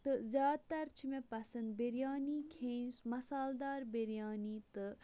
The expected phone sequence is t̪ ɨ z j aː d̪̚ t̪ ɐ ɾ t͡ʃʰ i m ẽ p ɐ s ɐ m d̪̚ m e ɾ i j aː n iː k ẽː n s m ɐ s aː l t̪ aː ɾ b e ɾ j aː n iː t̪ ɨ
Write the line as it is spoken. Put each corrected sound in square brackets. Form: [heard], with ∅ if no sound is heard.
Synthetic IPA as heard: t̪ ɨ z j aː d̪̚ t̪ ɐ ɾ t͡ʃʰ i m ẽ p ɐ s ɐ [n] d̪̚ [b] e ɾ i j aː n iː [kʰ] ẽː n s m ɐ s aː l [d̪] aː ɾ b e ɾ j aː n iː t̪ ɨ